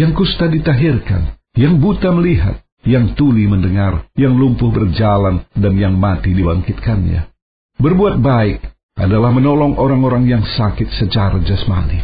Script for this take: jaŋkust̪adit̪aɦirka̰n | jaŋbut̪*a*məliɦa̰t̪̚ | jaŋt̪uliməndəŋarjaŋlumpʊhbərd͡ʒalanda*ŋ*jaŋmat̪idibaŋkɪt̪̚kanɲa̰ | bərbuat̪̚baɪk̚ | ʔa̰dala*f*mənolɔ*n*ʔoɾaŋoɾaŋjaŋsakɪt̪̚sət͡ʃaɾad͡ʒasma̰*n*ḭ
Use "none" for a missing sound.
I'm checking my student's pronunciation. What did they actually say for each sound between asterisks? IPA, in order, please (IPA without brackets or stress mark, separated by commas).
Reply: a, n, h, ŋ, n